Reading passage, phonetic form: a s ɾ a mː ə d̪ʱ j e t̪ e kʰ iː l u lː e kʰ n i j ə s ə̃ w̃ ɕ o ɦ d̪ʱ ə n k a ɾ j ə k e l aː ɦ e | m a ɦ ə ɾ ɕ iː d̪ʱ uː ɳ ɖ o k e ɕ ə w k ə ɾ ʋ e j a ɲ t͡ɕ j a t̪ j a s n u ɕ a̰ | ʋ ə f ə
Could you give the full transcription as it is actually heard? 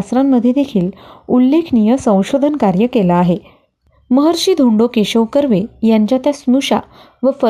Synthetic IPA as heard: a s ɾ a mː ə d̪ʱ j e d̪ e kʰ iː l u lː e kʰ n i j ə s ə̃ w̃ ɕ o d̪ʱ ə n k a ɾ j ə k e l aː ɦ e | m ə ɦ ə ɾ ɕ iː d̪ʱ u ɳ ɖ o k e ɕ ə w k ə ɾ ʋ e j a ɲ t͡ɕ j a t̪ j a s n u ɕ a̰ | ʋ ə f ə